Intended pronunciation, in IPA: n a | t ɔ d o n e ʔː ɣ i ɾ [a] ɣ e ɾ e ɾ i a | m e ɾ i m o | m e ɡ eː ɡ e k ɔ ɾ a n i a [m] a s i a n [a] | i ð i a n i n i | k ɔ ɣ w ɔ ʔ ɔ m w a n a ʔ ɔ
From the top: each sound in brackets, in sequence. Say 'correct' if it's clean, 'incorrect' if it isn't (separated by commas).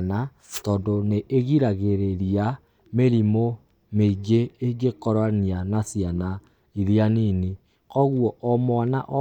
correct, incorrect, correct